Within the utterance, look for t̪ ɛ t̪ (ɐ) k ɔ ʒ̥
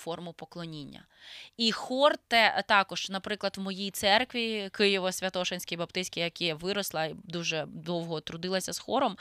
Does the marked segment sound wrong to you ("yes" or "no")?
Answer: yes